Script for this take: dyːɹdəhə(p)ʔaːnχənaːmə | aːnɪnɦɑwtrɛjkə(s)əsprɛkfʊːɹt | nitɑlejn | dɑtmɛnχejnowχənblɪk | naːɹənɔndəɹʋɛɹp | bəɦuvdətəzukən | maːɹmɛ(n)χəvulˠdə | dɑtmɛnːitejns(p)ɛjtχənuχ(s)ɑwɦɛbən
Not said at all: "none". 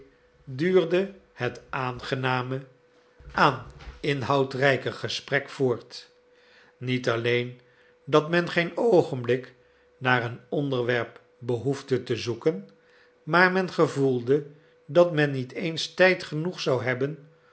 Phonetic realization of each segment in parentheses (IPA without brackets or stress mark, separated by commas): t, χ, n, t, s